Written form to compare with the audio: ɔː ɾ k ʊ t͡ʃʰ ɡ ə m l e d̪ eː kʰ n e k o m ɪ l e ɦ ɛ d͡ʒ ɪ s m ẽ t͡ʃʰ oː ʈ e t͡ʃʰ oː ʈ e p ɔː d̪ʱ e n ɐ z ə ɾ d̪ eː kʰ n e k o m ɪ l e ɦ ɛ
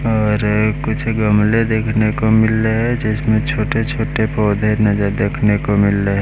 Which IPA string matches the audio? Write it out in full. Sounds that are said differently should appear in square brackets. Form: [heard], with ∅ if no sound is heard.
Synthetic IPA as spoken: ɔː ɾ k ʊ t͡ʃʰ ɡ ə m l e d̪ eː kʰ n e k o m ɪ l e ɦ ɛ d͡ʒ ɪ s m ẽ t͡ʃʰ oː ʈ e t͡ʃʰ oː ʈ e p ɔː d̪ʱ e n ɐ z ə ɾ d̪ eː kʰ n e k o m ɪ l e ɦ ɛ